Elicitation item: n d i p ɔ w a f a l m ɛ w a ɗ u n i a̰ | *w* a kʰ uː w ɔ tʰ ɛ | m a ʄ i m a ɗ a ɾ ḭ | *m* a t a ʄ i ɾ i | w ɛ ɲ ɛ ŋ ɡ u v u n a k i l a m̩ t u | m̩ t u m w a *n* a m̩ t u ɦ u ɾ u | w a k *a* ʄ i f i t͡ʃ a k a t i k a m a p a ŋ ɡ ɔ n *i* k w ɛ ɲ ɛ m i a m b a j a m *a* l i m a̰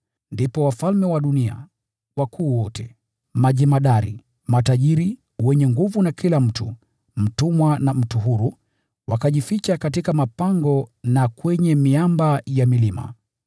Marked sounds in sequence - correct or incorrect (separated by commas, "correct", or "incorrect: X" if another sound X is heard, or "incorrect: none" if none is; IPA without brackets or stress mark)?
correct, correct, correct, correct, incorrect: a, incorrect: i